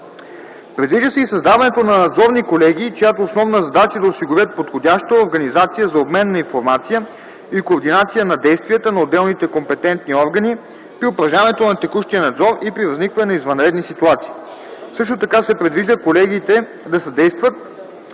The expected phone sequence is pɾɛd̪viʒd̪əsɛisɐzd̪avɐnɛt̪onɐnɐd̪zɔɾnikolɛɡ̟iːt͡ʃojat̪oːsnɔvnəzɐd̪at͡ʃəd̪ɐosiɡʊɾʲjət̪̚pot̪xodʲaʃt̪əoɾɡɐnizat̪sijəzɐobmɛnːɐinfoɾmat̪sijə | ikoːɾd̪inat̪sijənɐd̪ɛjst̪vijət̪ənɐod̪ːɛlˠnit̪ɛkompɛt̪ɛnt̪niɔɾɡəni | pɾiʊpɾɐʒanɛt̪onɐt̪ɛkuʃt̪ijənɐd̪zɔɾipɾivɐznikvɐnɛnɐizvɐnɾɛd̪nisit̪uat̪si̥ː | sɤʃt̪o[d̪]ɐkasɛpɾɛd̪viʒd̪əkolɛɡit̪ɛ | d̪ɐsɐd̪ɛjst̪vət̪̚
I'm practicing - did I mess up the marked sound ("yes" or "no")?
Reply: yes